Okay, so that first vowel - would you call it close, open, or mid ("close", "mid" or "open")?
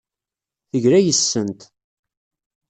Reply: mid